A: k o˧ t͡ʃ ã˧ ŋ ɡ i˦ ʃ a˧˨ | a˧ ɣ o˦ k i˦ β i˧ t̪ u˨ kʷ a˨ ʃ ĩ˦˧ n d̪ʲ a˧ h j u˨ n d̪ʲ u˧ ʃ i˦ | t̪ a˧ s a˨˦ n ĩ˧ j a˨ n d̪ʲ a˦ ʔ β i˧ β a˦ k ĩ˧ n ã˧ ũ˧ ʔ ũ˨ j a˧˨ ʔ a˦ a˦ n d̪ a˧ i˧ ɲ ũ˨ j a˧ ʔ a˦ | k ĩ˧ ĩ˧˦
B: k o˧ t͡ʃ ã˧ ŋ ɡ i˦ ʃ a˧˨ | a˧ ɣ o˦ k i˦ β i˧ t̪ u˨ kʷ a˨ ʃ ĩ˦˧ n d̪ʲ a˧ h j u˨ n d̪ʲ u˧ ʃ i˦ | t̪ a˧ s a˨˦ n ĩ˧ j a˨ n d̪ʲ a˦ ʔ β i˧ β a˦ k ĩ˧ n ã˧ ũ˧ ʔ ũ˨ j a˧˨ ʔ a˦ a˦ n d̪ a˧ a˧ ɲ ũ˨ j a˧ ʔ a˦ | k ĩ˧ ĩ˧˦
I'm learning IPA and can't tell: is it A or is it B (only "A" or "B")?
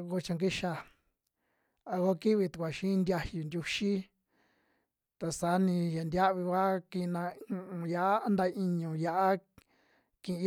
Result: A